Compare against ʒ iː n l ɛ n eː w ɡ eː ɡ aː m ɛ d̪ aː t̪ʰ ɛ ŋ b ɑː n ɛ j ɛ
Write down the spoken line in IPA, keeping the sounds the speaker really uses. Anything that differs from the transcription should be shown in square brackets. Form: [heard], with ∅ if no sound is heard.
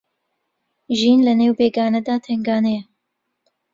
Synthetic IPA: ʒ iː n l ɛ n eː w [b] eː ɡ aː [n] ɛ d̪ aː t̪ʰ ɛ ŋ [ɡ] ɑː n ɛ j ɛ